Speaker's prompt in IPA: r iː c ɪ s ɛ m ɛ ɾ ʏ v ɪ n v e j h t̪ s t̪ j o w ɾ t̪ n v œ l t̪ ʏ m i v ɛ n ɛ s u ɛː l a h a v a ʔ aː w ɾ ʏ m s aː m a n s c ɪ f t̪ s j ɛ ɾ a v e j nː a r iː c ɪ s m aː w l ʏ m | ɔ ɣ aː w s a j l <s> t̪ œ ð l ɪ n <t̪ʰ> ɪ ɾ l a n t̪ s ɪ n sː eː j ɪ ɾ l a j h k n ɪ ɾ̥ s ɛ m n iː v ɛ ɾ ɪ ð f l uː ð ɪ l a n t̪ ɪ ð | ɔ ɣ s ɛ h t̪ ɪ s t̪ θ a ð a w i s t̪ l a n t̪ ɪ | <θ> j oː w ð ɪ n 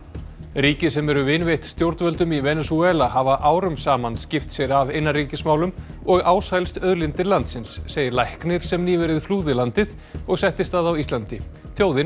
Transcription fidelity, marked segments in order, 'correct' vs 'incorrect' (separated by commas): correct, incorrect, correct